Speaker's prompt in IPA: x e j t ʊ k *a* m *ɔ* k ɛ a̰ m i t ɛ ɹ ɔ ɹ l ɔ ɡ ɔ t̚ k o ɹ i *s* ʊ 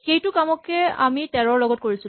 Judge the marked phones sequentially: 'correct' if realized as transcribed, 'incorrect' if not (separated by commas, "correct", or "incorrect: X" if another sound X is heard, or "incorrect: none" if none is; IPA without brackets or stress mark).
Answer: correct, correct, correct